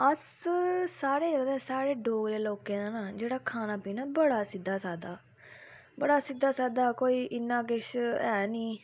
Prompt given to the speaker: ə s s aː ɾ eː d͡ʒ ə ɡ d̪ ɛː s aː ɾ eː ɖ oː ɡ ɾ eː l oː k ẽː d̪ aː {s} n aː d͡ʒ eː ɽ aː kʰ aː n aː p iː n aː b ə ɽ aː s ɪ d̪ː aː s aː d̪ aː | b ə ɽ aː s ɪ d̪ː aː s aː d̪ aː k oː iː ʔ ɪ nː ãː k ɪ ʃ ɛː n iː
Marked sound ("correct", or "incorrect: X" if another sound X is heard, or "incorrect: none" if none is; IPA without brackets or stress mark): incorrect: none